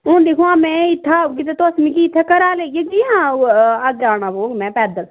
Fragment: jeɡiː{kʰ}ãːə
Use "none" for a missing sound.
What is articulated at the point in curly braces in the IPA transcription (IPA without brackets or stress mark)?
none